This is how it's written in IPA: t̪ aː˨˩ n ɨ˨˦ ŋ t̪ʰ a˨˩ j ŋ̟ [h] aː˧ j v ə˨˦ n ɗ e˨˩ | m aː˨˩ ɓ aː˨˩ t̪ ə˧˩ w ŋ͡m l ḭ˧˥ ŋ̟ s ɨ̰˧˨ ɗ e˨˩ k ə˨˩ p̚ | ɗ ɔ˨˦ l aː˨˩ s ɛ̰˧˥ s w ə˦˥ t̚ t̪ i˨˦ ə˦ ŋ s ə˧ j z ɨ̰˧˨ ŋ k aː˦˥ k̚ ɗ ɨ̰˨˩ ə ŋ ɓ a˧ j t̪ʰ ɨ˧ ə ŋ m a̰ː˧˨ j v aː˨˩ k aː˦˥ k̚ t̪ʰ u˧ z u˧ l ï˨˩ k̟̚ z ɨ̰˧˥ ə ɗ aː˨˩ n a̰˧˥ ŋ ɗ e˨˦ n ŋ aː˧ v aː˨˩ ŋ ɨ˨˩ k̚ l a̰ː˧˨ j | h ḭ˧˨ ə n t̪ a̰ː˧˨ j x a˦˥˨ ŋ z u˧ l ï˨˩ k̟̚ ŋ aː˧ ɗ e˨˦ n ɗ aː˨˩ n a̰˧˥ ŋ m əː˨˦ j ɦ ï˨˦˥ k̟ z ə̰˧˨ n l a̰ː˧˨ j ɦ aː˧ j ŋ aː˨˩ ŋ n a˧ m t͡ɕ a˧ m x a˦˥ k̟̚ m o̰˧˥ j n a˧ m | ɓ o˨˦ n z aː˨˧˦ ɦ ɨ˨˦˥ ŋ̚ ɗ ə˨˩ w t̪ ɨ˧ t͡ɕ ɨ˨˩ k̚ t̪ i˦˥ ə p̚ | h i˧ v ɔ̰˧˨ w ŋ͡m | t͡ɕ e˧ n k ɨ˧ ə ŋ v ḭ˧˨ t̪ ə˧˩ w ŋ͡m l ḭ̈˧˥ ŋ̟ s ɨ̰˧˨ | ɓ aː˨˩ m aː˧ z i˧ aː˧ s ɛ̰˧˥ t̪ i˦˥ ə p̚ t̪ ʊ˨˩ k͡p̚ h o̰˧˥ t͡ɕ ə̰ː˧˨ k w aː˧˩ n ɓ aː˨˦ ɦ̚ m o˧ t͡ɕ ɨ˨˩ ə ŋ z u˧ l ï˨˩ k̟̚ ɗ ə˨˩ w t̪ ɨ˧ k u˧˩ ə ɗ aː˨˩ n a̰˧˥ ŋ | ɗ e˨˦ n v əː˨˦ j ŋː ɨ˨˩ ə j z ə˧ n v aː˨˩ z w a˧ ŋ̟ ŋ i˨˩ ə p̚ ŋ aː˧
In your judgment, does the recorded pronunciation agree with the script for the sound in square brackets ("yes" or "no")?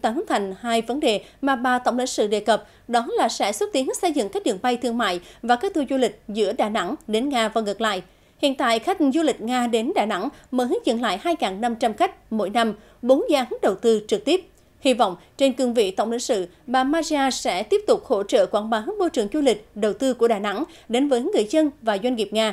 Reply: yes